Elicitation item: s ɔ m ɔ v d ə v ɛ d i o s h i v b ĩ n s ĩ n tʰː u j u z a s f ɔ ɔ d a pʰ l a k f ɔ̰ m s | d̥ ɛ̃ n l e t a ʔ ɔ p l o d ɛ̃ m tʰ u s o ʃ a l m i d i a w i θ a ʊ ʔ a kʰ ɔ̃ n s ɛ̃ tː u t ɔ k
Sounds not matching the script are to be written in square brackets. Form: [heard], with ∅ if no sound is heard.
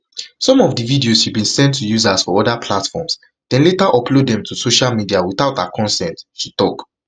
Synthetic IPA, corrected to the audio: s [ɔ̃] m ɔ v d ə v [i] d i o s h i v b ĩ n s [ɛ̃] n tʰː u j u z a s f ɔ ɔ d a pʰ l a [t] f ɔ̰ m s | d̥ ɛ̃ n l e t a ʔ ɔ p l o d ɛ̃ m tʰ u s o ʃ a l m i d i a w i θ a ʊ [t] a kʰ ɔ̃ n s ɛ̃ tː u t ɔ k